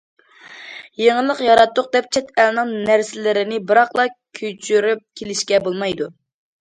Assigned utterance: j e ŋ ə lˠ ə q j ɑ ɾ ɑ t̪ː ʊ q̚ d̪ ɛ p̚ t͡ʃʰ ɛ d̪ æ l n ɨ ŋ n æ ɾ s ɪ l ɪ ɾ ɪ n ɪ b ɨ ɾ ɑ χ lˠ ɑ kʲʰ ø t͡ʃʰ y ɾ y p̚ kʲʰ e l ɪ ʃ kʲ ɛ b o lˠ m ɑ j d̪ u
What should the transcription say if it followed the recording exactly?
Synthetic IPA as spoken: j e ŋ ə lˠ ə q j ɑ ɾ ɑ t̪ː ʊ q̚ d̪ ɛ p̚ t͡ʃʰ ɛ t̪ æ l n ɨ ŋ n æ ɾ s ɪ l ɪ ɾ ɪ n ɪ b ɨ ɾ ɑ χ lˠ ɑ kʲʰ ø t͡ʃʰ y ɾ y p̚ kʲʰ e l ɪ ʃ kʲ ɛ b o lˠ m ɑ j d̪ u

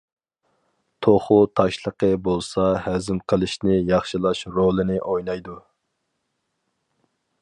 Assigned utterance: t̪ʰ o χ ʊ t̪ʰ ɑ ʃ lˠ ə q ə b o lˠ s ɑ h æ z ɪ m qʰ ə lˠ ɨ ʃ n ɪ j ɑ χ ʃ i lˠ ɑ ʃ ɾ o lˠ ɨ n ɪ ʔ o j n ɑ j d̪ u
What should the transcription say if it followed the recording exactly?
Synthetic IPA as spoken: t̪ʰ o χ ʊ t̪ʰ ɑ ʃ lˠ ə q ə b o lˠ s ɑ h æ z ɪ m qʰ ə lˠ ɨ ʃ n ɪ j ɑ χ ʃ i lˠ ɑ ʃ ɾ o lˠ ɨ n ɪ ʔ o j n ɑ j d̪ u

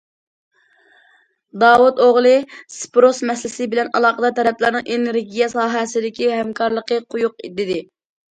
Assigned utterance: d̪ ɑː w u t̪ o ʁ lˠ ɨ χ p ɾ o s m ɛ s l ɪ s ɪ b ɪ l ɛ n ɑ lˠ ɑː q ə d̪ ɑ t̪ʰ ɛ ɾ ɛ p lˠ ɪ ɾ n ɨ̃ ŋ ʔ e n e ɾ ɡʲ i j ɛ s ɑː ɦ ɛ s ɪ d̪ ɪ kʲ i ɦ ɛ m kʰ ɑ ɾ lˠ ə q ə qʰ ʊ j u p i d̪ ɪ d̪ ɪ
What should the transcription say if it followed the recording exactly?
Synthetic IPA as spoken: d̪ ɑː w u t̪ o ʁ lˠ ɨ s p ɾ o s m ɛ s l ɪ s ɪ b ɪ l ɛ n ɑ lˠ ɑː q ə d̪ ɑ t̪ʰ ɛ ɾ ɛ p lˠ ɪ ɾ n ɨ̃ ŋ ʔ e n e ɾ ɡʲ i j ɛ s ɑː ɦ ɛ s ɪ d̪ ɪ kʲ i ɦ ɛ m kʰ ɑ ɾ lˠ ə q ə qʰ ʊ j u q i d̪ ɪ d̪ ɪ

